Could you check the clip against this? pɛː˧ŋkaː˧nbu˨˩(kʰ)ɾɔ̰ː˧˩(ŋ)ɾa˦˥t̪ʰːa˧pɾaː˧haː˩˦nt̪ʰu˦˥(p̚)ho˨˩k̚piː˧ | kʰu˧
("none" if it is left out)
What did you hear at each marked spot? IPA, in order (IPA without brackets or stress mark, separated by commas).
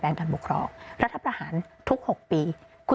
kʰ, ŋ, k̚